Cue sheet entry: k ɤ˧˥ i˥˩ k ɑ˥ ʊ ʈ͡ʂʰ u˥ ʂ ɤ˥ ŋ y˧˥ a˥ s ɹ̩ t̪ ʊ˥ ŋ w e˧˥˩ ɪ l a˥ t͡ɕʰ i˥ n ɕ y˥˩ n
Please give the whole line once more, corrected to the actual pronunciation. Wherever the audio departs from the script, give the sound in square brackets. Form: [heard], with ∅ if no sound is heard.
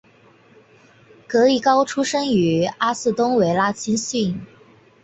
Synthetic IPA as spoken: k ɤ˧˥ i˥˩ k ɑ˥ ʊ ʈ͡ʂʰ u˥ ʂ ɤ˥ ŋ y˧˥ a˥ s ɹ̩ t̪ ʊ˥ ŋ w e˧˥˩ ɪ l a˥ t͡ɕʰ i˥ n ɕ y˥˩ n